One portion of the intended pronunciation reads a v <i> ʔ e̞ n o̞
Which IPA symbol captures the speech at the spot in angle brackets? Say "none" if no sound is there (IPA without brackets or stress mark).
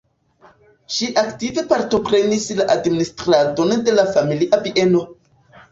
i